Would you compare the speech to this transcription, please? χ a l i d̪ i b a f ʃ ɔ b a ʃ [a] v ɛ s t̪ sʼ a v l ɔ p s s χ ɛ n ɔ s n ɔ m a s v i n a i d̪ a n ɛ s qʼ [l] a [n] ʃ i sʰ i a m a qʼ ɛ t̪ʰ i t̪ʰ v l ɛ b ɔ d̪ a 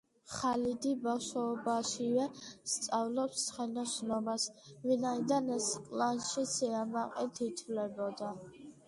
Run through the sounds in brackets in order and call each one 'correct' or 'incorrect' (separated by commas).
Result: incorrect, correct, correct